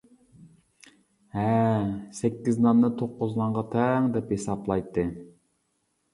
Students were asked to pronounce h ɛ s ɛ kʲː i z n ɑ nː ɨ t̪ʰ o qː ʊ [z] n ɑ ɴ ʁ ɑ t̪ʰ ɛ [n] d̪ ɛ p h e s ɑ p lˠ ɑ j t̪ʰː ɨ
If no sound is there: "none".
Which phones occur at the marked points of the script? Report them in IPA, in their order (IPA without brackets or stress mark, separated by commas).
z, ŋ